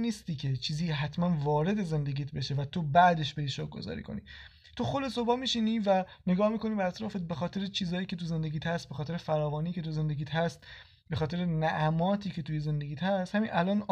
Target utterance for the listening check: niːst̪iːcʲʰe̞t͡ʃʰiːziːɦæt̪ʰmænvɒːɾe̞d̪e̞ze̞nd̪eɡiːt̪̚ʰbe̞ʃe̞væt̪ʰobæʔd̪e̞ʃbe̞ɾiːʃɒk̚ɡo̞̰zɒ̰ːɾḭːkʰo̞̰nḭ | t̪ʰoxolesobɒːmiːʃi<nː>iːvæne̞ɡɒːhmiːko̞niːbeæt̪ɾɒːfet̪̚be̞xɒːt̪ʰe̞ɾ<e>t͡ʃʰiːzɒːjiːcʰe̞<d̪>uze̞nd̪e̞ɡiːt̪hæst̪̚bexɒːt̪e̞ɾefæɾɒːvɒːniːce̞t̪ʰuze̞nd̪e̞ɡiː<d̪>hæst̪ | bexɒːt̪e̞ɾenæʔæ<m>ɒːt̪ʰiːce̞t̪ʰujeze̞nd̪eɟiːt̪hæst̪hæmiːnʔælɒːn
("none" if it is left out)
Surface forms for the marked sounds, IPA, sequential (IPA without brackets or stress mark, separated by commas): n, e, t̪, t̪, m